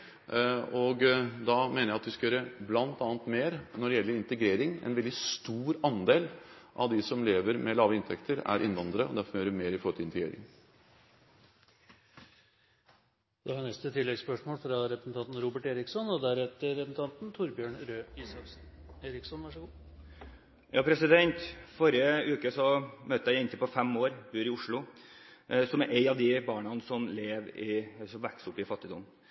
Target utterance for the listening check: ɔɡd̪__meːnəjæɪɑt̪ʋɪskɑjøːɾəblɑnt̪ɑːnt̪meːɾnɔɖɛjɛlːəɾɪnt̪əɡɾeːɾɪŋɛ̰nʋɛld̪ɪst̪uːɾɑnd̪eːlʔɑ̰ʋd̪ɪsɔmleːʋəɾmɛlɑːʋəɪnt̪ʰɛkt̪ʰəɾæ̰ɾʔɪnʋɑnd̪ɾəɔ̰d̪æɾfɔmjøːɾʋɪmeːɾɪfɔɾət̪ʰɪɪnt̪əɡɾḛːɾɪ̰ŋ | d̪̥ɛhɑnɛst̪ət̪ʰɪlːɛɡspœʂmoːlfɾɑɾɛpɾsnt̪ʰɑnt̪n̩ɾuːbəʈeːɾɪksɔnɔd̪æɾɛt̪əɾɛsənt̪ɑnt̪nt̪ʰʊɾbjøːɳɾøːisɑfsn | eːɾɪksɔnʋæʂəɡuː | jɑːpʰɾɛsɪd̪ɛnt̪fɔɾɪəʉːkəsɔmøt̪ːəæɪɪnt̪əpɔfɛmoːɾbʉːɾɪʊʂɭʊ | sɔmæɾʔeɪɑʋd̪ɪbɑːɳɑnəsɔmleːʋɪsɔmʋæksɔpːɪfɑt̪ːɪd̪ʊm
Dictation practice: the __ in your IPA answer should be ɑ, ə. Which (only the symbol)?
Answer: ɑ